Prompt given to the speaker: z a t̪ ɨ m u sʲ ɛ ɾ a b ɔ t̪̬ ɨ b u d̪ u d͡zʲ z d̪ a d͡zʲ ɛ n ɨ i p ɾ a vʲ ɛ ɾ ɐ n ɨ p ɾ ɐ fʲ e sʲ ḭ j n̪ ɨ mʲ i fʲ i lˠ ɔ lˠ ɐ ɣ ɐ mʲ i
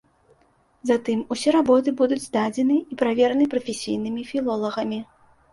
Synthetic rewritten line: z a t̪ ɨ m u sʲ ɛ ɾ a b ɔ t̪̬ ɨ b u d̪ u d͡zʲ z d̪ a d͡zʲ ɛ n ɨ i p ɾ a vʲ ɛ ɾ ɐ n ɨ p ɾ ɐ fʲ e sʲ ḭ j n̪ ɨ mʲ i fʲ i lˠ ɔ lˠ ɐ ɣ ɐ mʲ i